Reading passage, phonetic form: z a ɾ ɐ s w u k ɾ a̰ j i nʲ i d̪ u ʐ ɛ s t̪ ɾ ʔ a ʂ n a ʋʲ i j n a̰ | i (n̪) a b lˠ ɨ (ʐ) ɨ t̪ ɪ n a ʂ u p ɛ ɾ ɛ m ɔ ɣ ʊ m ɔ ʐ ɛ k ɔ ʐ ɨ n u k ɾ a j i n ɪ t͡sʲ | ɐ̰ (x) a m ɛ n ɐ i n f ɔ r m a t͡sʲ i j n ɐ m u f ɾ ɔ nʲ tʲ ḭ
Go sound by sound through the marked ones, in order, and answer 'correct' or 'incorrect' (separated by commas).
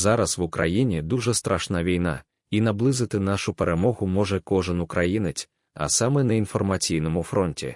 correct, incorrect, incorrect